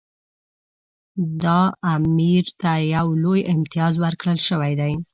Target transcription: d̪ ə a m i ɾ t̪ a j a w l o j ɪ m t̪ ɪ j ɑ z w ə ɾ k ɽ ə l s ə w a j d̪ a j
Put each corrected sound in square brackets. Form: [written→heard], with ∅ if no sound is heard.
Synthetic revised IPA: d̪ [ə→ɑ] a m i ɾ t̪ a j a w l o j ɪ m t̪ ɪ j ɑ z w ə ɾ k ɽ ə l [s→ʃ] ə w a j d̪ a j